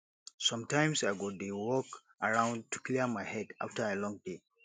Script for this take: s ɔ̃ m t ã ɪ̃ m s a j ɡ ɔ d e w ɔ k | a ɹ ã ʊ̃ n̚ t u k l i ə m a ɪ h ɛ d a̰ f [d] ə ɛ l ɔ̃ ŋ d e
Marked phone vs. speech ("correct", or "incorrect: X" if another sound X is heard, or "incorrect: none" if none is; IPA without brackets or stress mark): incorrect: t